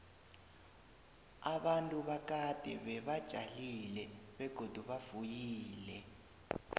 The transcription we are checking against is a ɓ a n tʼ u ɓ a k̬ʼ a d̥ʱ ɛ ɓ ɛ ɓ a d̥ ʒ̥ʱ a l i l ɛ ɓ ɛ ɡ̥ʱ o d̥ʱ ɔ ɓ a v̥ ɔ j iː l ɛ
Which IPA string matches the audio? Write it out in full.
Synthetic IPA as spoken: a ɓ a n tʼ u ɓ a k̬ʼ a d̥ʱ ɛ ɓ ɛ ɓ a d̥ ʒ̥ʱ a l i l ɛ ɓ ɛ ɡ̥ʱ o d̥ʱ u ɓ a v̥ u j iː l ɛ